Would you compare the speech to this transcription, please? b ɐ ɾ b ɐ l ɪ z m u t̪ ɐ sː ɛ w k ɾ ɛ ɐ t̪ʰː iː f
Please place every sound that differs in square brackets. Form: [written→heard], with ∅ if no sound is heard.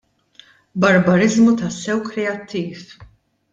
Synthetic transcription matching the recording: b ɐ ɾ b ɐ [l→ɾ] ɪ z m u t̪ ɐ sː ɛ w k ɾ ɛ ɐ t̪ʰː iː f